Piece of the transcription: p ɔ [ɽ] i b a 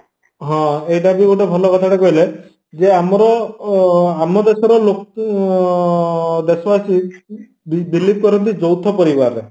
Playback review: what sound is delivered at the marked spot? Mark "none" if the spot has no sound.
ɾ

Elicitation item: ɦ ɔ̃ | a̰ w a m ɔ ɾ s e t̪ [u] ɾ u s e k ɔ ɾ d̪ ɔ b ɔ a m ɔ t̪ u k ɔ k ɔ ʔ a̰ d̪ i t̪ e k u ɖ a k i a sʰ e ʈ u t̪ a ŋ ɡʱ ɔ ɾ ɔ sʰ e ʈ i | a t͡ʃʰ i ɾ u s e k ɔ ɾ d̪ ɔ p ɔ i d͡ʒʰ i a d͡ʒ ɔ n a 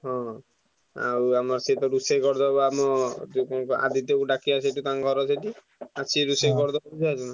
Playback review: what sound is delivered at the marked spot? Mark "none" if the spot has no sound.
ɔ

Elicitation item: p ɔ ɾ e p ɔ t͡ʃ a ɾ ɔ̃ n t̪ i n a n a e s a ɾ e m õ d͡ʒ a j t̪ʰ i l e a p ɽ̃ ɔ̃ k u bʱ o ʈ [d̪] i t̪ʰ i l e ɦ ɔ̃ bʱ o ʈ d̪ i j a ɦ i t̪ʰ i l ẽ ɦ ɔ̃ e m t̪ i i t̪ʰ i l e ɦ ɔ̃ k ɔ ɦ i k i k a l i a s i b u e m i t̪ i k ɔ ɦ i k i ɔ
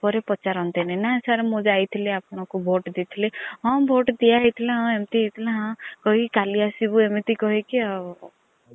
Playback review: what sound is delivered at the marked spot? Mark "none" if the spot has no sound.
d̪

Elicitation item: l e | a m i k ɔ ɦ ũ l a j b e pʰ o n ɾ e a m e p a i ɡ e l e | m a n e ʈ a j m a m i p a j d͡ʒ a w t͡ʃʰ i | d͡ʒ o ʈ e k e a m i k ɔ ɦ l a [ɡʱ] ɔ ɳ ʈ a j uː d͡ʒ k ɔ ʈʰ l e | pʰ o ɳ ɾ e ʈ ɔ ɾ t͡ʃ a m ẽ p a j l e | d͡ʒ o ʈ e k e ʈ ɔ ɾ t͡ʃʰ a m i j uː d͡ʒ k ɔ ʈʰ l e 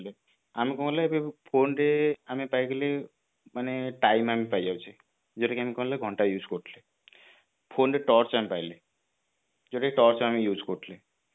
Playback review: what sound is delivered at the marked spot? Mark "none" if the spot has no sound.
ɡʱ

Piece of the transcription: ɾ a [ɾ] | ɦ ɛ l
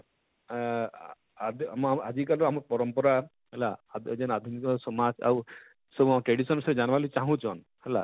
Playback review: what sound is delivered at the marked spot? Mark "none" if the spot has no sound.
none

